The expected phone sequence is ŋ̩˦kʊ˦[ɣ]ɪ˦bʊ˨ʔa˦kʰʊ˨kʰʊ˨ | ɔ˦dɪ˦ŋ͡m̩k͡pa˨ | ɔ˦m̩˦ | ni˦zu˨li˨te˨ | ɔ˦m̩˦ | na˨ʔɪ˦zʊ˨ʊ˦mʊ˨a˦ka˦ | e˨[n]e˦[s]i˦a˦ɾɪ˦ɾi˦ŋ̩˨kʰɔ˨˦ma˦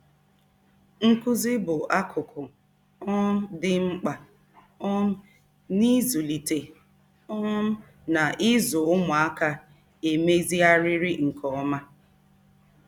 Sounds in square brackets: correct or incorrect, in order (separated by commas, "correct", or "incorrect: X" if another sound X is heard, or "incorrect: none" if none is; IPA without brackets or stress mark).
incorrect: z, incorrect: m, incorrect: z